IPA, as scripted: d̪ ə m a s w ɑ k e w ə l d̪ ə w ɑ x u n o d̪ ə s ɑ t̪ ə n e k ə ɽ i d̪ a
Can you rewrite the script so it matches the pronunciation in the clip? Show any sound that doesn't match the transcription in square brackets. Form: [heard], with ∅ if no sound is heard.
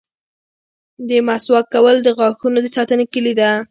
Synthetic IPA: d̪ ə m a s w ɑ k [a] w ə l d̪ ə [ɣ] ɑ x u n o d̪ ə s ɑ t̪ ə n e k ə [l] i d̪ a